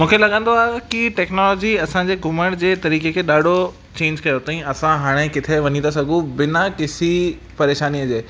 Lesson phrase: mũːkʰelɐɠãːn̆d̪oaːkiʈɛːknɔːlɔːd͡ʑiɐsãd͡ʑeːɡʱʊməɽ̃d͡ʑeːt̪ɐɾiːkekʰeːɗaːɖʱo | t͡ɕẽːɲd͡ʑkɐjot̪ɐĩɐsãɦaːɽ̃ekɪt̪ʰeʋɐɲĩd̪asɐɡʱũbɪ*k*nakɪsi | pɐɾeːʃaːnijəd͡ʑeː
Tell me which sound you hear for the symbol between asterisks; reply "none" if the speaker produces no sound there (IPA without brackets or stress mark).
none